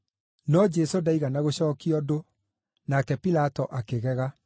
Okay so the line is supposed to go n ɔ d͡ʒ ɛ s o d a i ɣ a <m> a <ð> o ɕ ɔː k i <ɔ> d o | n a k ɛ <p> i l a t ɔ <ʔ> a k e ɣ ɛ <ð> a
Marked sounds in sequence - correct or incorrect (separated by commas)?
incorrect, incorrect, correct, correct, correct, incorrect